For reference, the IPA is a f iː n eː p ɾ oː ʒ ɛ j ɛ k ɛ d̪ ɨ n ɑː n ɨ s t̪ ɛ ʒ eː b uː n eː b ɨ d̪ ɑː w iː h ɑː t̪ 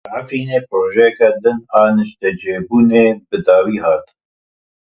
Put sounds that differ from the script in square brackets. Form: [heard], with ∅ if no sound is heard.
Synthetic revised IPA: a f iː n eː p ɾ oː ʒ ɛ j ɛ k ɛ d̪ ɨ n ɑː n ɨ [ʃ] t̪ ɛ [d͡ʒ] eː b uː n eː b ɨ d̪ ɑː w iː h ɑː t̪